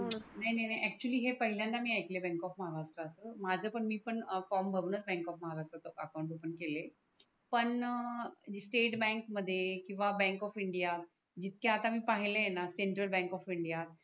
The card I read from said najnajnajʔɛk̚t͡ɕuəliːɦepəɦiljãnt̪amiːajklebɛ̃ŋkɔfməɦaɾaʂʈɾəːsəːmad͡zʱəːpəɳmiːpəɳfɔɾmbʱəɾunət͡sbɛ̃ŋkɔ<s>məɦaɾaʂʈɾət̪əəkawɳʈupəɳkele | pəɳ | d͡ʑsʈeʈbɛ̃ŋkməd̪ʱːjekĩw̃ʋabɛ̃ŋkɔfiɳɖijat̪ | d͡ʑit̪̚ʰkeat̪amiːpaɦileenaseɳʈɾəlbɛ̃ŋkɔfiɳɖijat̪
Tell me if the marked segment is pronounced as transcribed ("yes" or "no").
no